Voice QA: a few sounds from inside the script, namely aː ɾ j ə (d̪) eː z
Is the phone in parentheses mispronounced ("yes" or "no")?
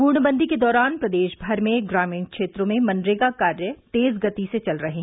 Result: yes